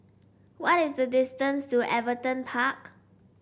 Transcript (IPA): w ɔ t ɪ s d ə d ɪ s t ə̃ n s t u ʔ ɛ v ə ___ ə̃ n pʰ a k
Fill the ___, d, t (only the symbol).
t